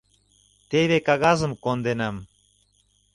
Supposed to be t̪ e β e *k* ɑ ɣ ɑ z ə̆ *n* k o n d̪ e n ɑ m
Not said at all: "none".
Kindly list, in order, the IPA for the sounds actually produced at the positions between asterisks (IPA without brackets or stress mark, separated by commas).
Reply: k, m